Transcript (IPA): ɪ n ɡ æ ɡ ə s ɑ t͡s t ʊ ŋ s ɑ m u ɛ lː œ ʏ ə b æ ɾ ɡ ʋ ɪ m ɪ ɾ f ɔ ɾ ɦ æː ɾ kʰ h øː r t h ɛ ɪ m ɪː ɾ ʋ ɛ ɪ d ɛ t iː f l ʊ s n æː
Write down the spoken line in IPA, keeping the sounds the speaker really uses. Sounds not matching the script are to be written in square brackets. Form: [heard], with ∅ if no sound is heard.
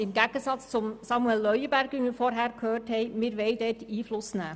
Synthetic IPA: ɪ [m] ɡ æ ɡ ə s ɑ t͡s [t͡s] ʊ [m] s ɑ m u ɛ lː œ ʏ ə b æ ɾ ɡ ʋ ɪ m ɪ ɾ f ɔ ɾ ɦ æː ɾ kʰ h øː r t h ɛ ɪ m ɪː ɾ ʋ ɛ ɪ d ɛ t iː f l ʊ s n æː